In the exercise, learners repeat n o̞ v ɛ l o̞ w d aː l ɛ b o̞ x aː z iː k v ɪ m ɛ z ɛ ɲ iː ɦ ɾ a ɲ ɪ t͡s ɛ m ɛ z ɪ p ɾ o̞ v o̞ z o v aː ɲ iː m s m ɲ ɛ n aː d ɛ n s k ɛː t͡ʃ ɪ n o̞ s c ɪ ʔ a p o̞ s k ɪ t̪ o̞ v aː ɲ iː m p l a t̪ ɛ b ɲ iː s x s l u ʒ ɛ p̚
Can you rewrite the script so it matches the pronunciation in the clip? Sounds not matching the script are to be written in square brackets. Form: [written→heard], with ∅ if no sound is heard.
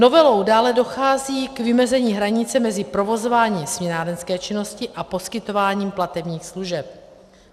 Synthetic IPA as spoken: n o̞ v ɛ l o̞ w d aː l ɛ [b→d] o̞ x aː z iː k v ɪ m ɛ z ɛ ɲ iː ɦ ɾ a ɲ ɪ t͡s ɛ m ɛ z ɪ p ɾ o̞ v o̞ z o v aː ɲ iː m s m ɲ ɛ n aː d ɛ n s k ɛː t͡ʃ ɪ n o̞ s c ɪ ʔ a p o̞ s k ɪ t̪ o̞ v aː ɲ iː m p l a t̪ ɛ b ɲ iː [s→∅] x s l u ʒ ɛ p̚